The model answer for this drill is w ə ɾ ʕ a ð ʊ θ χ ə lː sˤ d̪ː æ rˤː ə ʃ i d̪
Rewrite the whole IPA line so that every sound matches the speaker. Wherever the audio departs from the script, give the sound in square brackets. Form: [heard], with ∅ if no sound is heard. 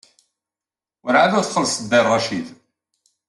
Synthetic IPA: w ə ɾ ʕ a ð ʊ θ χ ə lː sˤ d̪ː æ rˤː [ɑ] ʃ i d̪